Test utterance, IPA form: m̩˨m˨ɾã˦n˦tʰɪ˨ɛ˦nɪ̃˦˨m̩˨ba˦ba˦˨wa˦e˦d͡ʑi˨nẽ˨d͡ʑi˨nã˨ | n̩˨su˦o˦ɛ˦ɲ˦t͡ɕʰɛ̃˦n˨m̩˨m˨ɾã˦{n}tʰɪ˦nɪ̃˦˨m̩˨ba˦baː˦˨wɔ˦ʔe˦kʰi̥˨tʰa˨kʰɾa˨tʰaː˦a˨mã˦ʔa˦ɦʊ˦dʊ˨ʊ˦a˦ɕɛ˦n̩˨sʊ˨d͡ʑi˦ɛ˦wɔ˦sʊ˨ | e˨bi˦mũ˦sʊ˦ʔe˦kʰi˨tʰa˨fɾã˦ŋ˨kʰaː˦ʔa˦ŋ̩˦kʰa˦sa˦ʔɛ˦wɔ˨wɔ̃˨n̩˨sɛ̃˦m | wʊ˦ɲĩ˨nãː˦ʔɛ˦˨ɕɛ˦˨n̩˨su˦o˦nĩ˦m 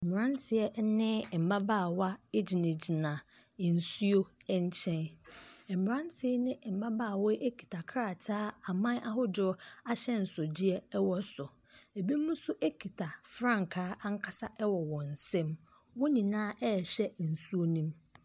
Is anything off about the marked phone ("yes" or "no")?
no